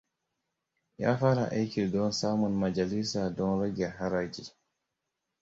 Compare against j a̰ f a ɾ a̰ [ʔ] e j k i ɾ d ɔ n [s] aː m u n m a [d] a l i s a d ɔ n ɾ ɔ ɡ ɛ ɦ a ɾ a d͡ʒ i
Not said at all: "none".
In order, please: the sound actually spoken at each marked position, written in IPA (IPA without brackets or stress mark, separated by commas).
ʔ, s, d͡ʒ